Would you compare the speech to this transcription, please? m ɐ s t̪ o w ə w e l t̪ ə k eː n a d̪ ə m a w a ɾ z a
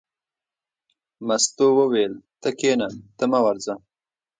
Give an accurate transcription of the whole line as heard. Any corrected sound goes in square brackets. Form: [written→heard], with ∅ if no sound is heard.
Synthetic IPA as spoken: m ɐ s t̪ o w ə w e l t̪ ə k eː n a [d̪→t̪] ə m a w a ɾ z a